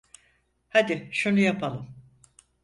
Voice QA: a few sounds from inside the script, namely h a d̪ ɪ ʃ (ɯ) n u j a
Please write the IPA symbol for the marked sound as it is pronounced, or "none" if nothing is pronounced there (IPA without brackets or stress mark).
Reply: u